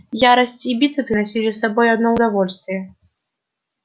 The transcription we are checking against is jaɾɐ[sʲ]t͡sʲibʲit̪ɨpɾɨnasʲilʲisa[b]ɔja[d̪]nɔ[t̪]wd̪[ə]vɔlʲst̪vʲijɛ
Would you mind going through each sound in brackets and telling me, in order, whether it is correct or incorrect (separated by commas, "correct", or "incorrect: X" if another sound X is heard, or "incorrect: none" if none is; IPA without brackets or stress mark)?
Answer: correct, correct, correct, incorrect: none, incorrect: a